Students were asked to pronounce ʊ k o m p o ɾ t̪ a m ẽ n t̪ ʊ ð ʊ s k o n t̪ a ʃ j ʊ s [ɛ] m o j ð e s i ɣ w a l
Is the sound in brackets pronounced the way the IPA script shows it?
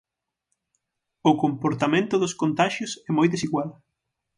yes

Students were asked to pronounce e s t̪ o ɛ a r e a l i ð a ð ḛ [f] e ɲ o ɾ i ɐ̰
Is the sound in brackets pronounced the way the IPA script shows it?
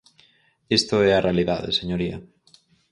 no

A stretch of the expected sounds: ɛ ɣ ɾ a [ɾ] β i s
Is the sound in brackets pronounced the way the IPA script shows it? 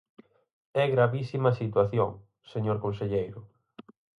no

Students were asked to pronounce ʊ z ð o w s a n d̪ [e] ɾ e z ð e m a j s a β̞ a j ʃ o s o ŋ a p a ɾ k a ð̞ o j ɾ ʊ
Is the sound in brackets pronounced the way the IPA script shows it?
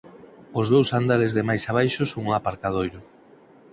no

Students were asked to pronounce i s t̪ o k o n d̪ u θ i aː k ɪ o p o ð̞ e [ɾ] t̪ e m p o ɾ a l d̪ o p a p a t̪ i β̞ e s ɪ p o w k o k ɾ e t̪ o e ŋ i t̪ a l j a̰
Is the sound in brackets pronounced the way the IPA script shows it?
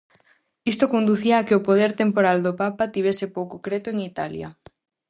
yes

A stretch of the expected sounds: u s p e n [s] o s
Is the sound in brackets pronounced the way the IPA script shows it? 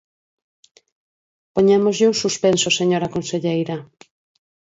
yes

